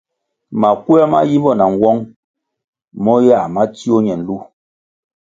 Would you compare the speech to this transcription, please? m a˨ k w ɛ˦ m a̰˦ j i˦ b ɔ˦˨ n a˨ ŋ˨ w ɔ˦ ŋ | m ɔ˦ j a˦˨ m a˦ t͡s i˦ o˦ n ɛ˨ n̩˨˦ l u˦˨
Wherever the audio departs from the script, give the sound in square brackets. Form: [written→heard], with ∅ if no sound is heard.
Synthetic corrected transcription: m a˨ k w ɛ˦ m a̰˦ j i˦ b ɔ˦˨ n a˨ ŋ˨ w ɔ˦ ŋ | m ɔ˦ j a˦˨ m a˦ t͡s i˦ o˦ [n→ɲ] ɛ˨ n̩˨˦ l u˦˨

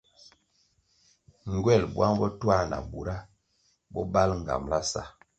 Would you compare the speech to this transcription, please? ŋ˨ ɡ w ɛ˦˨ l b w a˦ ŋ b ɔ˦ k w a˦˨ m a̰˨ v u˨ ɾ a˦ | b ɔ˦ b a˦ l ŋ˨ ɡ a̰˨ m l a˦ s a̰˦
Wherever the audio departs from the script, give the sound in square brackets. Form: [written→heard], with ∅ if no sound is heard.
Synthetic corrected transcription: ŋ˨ ɡ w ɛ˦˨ l b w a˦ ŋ b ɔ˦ [k→t] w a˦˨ [m→n] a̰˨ [v→b] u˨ ɾ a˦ | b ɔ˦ b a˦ l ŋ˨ ɡ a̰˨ m l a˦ s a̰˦

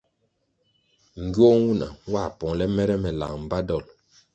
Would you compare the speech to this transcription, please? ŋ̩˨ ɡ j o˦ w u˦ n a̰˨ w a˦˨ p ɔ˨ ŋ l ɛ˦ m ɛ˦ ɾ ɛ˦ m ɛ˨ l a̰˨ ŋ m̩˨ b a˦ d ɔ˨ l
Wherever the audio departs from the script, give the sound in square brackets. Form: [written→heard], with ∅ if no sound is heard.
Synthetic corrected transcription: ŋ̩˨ ɡ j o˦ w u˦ n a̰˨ w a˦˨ p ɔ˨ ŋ l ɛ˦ m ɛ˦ ɾ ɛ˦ m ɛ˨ l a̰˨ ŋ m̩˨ b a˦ d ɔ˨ l

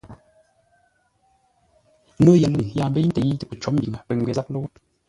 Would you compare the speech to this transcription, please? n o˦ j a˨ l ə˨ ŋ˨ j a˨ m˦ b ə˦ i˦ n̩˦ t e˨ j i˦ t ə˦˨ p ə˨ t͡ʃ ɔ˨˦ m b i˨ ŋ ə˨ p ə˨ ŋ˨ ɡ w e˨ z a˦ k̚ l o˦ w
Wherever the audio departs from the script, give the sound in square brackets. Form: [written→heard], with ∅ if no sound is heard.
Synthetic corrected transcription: n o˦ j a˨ l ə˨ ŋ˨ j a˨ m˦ b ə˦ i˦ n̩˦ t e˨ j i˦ t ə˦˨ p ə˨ t͡ʃ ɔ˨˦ m b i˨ ŋ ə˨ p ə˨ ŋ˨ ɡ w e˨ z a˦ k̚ l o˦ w

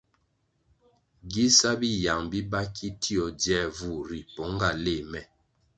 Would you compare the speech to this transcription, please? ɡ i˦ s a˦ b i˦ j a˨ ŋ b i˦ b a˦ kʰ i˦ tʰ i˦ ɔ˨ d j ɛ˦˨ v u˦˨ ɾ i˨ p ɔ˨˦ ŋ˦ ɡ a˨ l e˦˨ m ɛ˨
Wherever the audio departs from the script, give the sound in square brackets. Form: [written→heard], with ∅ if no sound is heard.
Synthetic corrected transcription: ɡ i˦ s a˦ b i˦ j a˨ ŋ b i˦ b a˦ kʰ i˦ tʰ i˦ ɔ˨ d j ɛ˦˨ v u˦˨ ɾ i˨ p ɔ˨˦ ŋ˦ ɡ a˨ l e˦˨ m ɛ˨

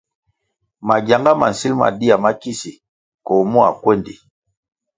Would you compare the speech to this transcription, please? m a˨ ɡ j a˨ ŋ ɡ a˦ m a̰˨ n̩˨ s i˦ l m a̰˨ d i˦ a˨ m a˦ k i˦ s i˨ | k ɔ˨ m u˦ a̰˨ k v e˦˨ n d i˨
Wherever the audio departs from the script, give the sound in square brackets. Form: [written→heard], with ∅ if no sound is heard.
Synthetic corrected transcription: m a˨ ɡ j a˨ ŋ ɡ a˦ m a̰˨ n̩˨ s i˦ l m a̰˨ d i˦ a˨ m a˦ k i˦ s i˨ | k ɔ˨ m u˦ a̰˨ k [v→w] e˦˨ n d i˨

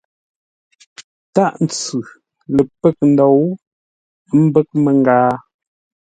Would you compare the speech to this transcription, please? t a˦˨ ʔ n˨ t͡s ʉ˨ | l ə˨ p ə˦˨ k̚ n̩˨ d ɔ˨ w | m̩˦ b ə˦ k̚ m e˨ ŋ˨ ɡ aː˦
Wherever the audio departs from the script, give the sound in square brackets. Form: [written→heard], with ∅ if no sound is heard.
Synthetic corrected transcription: t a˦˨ ʔ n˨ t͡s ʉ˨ | l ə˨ p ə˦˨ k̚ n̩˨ d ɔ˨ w | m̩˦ b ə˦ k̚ m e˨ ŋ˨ ɡ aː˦

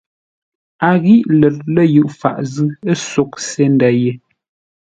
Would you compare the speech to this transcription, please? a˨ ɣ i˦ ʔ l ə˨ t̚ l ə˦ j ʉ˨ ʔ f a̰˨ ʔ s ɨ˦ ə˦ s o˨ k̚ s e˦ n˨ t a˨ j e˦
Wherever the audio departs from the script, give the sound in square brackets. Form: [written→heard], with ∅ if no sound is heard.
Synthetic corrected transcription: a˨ ɣ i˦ ʔ l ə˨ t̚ l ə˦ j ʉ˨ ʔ f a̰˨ ʔ [s→z] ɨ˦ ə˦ s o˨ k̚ s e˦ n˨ [t→d] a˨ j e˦

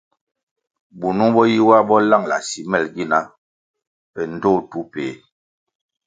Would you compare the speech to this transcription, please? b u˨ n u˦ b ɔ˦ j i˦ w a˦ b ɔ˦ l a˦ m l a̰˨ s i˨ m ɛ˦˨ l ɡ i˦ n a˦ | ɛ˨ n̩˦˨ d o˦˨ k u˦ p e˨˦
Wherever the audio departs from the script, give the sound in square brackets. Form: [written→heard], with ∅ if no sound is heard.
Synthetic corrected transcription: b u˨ n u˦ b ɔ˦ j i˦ w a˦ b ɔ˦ l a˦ [m→ŋ] l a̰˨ s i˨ m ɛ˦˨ l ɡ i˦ n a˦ | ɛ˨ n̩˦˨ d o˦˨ [k→t] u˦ p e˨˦

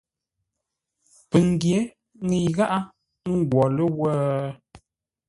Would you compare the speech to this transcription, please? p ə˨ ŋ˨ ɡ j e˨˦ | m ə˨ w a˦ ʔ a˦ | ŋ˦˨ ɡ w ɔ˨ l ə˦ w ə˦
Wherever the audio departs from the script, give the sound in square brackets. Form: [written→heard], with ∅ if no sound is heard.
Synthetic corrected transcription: p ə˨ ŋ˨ ɡ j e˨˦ | [m→ŋ] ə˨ [w→ɣ] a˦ ʔ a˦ | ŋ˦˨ ɡ w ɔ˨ l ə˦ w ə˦

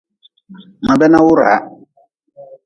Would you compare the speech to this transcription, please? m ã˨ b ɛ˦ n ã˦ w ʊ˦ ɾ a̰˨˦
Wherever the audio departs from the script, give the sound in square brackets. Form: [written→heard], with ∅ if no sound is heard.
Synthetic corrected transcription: m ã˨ b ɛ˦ n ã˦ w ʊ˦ ɾ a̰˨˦

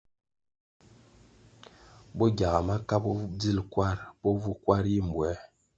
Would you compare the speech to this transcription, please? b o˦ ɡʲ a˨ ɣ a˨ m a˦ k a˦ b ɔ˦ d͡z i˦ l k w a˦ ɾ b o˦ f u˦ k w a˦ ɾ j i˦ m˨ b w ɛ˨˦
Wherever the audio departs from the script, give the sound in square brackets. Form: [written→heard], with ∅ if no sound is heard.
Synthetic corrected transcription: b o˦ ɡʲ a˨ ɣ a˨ m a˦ k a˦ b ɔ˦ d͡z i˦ l k w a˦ ɾ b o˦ [f→v] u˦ k w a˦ ɾ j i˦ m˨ b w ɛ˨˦

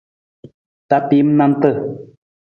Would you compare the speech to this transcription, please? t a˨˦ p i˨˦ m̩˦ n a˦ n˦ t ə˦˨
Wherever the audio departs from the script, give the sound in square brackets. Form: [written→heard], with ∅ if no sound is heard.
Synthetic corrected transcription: t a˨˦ p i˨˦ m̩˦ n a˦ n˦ t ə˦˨

